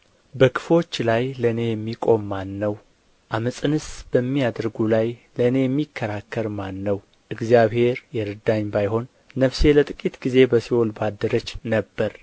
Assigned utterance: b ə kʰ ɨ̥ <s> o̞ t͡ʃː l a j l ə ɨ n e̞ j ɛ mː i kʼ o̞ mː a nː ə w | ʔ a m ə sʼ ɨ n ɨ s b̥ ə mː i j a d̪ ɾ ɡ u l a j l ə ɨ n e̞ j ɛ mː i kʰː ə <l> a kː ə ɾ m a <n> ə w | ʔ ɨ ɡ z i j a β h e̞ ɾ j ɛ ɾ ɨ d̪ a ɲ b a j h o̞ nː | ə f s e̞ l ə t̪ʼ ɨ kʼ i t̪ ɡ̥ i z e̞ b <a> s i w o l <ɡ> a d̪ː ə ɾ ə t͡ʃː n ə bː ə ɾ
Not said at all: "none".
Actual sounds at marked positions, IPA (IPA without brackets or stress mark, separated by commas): f, ɾ, nː, ə, b